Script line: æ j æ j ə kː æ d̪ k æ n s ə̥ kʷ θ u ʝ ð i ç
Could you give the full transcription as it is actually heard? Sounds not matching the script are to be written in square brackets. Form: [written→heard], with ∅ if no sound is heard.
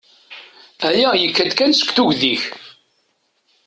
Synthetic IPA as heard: æ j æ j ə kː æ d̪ k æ n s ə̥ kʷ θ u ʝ ð i ç